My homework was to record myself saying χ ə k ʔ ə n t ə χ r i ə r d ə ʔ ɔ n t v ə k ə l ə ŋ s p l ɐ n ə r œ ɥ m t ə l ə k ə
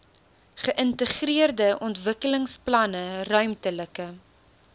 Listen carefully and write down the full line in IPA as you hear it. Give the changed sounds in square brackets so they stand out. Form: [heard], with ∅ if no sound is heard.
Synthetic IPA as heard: χ ə [∅] ʔ ə n t ə χ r i ə r d ə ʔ ɔ n t v ə k ə l ə ŋ s p l ɐ n ə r œ ɥ m t ə l ə k ə